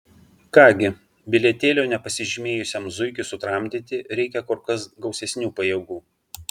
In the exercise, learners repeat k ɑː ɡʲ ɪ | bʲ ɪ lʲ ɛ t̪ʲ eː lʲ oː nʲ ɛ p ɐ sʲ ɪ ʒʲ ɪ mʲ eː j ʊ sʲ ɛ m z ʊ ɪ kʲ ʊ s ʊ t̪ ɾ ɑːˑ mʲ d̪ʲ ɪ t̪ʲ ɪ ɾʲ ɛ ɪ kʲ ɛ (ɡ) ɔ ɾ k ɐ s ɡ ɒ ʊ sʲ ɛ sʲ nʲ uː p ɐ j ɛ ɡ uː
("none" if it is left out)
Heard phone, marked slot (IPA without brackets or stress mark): k